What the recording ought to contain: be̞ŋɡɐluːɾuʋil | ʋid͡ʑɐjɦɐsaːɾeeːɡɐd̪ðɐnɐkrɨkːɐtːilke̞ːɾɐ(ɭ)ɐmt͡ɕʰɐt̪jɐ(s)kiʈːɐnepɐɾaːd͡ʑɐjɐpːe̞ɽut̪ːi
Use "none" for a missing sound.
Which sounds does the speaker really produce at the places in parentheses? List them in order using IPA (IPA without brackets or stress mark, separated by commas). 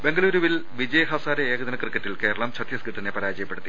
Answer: ɭ, s